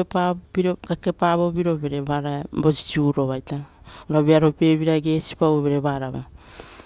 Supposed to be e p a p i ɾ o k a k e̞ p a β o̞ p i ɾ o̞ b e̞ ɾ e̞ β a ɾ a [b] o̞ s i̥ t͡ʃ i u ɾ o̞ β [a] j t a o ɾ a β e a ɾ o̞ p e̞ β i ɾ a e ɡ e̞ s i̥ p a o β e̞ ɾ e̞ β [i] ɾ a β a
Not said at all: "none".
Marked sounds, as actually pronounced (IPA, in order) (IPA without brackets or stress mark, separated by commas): b, a, a